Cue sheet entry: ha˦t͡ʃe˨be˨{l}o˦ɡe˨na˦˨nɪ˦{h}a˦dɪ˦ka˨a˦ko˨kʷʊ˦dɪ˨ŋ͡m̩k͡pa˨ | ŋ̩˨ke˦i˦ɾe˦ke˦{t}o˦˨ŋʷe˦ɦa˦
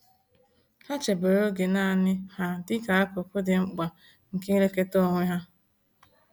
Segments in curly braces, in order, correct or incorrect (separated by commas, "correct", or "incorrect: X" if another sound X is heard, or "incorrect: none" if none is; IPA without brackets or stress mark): incorrect: ɾ, correct, correct